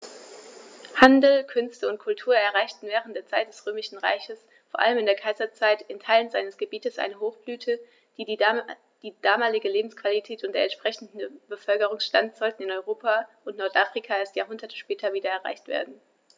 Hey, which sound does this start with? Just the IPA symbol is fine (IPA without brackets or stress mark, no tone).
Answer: h